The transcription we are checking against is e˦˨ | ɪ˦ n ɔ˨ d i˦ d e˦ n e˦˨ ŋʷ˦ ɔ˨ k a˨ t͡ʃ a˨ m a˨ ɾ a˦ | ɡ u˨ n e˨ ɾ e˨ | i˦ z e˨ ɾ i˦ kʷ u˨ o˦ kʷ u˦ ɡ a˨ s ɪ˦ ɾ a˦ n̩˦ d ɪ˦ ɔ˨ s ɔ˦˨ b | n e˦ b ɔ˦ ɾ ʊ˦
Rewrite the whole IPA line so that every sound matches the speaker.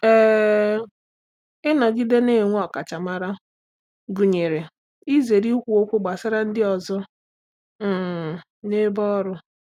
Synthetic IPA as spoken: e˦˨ | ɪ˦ n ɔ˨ ɡ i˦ d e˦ n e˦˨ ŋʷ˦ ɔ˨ k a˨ t͡ʃ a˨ m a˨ ɾ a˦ | ɡ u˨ ɲ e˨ ɾ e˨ | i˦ z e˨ ɾ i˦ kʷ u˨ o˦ kʷ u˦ ɡ͡b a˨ s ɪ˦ ɾ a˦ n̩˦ d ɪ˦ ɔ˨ z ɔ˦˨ | n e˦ b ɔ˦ ɾ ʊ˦